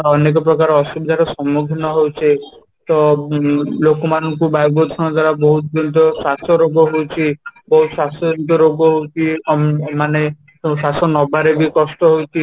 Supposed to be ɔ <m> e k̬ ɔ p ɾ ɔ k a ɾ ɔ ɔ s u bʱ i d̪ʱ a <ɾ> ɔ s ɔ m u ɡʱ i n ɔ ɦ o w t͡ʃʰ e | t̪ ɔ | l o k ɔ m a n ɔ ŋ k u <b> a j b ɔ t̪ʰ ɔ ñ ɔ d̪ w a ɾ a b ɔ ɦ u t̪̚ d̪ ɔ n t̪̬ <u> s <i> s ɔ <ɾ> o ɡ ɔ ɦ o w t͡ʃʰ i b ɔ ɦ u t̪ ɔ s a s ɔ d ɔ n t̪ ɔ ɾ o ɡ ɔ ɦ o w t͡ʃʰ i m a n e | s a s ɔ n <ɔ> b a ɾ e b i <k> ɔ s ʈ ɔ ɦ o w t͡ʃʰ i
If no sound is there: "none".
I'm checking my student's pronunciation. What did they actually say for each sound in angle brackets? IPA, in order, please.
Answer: n, ɾ, b, ɔ, a, ɾ, ɔ, k

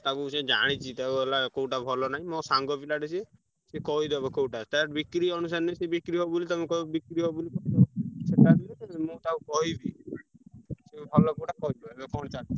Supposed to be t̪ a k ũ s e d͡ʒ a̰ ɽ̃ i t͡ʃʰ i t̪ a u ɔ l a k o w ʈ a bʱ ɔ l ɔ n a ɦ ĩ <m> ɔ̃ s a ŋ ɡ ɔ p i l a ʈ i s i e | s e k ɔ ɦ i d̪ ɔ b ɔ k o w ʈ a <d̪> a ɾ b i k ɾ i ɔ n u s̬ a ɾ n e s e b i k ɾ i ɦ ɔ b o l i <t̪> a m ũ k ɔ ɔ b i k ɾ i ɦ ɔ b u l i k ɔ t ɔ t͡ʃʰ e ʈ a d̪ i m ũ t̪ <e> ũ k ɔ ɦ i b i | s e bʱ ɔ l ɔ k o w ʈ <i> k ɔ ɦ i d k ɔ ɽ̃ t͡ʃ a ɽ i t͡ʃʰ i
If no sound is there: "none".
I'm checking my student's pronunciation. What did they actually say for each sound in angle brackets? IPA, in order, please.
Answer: m, t̪, t̪, a, a

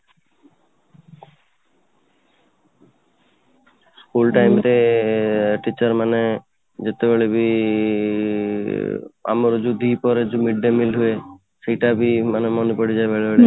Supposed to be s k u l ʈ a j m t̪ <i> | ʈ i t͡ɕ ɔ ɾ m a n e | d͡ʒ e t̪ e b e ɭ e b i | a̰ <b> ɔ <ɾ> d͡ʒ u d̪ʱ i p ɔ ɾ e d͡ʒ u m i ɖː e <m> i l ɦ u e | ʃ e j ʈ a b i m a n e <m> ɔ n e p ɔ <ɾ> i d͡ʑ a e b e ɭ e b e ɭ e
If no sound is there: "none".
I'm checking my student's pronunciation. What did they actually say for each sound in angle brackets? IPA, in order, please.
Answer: e, m, ɾ, m, m, ɽ

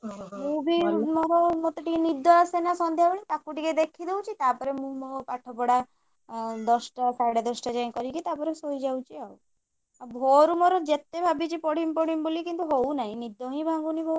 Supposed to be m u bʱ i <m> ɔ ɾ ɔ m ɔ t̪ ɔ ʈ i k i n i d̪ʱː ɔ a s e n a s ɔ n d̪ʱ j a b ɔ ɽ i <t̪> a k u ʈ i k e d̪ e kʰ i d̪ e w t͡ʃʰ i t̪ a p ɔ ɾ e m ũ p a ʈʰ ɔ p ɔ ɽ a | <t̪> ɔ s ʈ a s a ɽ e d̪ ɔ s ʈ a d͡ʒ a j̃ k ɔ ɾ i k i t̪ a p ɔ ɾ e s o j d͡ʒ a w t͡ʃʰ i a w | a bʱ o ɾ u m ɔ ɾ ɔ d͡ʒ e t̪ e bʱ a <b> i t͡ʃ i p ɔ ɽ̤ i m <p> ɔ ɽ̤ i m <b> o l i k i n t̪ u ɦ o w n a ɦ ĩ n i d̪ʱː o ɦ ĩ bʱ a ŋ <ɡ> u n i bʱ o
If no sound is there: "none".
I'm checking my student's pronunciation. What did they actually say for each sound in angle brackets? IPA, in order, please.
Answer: m, t̪, d̪, b, p, b, ɡ

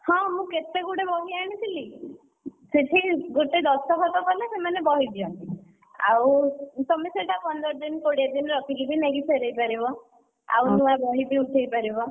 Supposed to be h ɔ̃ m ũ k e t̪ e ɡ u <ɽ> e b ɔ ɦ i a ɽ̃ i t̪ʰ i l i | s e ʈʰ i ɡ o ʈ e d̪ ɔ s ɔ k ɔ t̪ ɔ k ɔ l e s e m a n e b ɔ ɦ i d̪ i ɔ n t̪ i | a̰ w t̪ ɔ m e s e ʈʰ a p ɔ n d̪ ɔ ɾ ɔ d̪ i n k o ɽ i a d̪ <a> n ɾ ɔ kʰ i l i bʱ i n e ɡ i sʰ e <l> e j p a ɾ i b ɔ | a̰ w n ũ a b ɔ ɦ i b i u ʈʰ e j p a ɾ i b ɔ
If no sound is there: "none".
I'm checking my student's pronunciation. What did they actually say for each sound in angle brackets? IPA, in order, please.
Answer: ɽ, i, ɾ

